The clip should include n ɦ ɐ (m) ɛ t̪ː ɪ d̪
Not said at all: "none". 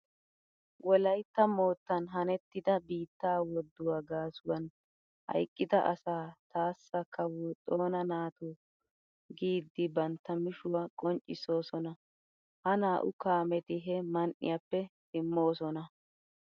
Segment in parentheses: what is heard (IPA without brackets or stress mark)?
n